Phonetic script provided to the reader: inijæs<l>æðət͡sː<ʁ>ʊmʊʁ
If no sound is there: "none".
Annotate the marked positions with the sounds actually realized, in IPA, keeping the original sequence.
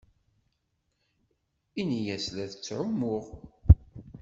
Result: l, ʕ

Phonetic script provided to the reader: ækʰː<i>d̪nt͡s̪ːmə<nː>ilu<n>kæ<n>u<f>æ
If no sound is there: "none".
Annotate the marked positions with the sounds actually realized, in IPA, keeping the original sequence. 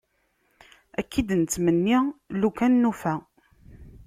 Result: i, nː, none, nː, f

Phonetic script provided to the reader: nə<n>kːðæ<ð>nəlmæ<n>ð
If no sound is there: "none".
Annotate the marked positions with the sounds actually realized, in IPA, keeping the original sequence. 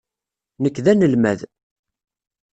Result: none, none, none

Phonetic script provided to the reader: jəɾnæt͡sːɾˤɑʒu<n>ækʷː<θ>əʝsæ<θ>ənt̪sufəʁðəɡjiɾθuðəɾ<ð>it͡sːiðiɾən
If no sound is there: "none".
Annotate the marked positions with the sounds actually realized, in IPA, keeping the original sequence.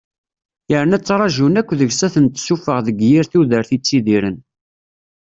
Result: n, ð, θ, θ

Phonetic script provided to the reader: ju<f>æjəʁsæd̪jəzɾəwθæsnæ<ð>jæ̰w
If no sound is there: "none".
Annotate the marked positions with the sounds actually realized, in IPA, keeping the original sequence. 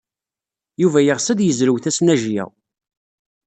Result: v, ʒ

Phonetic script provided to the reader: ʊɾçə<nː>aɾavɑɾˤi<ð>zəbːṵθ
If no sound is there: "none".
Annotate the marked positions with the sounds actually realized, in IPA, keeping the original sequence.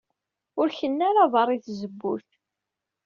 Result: nː, θ

